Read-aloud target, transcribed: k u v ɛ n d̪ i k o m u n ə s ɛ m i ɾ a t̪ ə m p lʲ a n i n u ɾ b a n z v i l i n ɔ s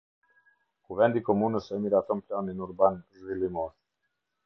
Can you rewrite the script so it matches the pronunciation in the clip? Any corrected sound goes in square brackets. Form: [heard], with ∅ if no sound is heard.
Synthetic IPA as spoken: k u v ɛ n d̪ i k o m u n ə s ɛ m i ɾ a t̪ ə m p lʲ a n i n u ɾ b a n z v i l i [m] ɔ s

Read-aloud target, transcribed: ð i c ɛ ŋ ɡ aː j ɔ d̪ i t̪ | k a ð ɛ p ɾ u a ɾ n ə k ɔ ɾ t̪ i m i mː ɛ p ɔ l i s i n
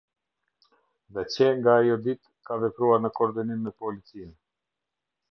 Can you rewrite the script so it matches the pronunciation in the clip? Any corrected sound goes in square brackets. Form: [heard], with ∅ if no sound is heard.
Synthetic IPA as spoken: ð [ɛ] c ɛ ŋ ɡ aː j ɔ d̪ i t̪ | k a [v] ɛ p ɾ u a ɾ n ə k ɔ ɾ [d̪] i [n] i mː ɛ p ɔ l i [t͡s] i n

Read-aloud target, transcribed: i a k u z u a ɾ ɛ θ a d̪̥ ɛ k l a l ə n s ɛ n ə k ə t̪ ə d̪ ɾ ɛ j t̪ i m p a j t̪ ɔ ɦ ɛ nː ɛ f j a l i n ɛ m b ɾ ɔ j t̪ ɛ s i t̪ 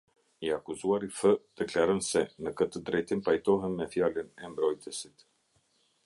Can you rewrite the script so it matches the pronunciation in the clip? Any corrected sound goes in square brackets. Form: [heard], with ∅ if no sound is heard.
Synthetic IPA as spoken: i a k u z u a ɾ [i] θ [ə] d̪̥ ɛ k l a [ɾ] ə n s ɛ n ə k ə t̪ ə d̪ ɾ ɛ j t̪ i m p a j t̪ ɔ ɦ ɛ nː ɛ f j a l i n ɛ m b ɾ ɔ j t̪ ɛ s i t̪

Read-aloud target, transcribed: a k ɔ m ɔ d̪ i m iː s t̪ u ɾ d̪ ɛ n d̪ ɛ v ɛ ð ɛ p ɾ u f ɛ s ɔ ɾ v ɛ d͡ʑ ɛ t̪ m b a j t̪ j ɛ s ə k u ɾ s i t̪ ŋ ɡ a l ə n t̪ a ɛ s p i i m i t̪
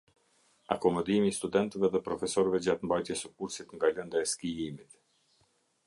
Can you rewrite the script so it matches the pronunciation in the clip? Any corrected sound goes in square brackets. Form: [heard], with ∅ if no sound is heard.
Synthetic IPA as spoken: a k ɔ m ɔ d̪ i m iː s t̪ u [∅] d̪ ɛ n [t̪] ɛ v ɛ ð ɛ p ɾ [ɔ] f ɛ s ɔ ɾ v ɛ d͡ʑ [a] t̪ m b a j t̪ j ɛ s ə k u ɾ s i t̪ ŋ ɡ a l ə n [d̪] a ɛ s [k] i i m i t̪

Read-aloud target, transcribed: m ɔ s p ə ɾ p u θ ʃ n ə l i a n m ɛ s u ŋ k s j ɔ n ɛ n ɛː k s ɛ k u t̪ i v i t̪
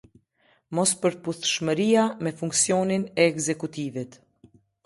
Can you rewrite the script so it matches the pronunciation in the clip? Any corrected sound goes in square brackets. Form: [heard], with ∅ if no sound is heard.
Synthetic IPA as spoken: m ɔ s p ə ɾ p u θ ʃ [m] ə [ɾ] i a [∅] m ɛ [f] u ŋ k s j ɔ n [i] n ɛː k [z] ɛ k u t̪ i v i t̪

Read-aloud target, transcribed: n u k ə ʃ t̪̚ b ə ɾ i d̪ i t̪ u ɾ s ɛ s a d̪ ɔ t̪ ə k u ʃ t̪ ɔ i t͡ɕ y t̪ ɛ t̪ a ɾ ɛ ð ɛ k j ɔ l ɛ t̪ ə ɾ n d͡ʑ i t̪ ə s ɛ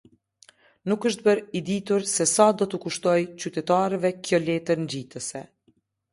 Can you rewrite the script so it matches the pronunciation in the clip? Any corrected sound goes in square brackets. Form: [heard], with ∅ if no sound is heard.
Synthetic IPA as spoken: n u k ə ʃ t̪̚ b ə ɾ i d̪ i t̪ u ɾ s ɛ s a d̪ ɔ t̪ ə k u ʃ t̪ ɔ [j] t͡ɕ y t̪ ɛ t̪ a ɾ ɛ [v] ɛ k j ɔ l ɛ t̪ ə ɾ n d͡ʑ i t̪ ə s ɛ

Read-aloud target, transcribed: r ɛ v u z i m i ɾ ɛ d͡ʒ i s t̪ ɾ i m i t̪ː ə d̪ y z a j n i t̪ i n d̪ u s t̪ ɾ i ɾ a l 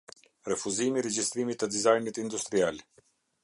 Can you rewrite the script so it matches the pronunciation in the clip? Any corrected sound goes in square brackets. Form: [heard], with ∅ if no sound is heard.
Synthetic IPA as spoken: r ɛ [f] u z i m i ɾ ɛ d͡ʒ i s t̪ ɾ i m i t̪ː ə d̪ [i] z a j n i t̪ i n d̪ u s t̪ ɾ i [∅] a l

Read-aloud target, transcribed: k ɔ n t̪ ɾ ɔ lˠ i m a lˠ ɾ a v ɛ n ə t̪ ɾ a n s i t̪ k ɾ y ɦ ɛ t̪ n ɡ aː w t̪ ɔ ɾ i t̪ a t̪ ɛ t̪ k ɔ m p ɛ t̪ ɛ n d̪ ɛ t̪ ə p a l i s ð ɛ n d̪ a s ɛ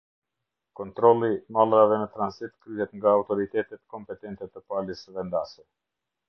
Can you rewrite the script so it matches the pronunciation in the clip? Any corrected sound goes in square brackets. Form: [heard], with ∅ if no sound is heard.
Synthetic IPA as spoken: k ɔ n t̪ ɾ ɔ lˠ i m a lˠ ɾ a v ɛ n ə t̪ ɾ a n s i t̪ k ɾ y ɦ ɛ t̪ [ŋ] ɡ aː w t̪ ɔ ɾ i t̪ [ɛ] t̪ ɛ t̪ k ɔ m p ɛ t̪ ɛ n [t̪] ɛ t̪ ə p a l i s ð ɛ n d̪ a s ɛ

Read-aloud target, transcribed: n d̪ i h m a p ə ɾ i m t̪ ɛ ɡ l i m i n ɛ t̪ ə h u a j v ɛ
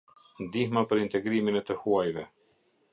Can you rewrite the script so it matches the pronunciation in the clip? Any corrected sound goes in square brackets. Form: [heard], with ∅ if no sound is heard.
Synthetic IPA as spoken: n d̪ i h m a p ə ɾ i [n] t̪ ɛ ɡ [ɾ] i m i n ɛ t̪ ə h u a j v ɛ

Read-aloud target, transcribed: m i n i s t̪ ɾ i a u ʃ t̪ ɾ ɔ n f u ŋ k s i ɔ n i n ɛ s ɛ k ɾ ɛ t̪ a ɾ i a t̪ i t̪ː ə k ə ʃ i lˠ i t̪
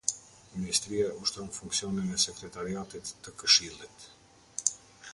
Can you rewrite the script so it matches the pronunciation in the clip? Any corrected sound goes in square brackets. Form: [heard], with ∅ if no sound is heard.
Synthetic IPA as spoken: m i n i s t̪ ɾ i a u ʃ t̪ ɾ ɔ n f u ŋ k s i ɔ n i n ɛ s ɛ k ɾ ɛ t̪ a ɾ i a t̪ i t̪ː ə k ə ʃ i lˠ i t̪

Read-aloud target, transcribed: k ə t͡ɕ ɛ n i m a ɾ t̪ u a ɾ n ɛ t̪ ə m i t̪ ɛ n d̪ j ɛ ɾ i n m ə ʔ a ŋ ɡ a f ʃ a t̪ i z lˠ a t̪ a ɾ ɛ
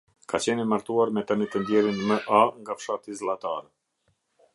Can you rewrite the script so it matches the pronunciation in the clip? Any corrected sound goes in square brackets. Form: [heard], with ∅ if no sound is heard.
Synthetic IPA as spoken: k [a] t͡ɕ ɛ n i m a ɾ t̪ u a ɾ [m] ɛ t̪ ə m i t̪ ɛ n d̪ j ɛ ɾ i n m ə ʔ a ŋ ɡ a f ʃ a t̪ i z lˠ a t̪ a ɾ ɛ

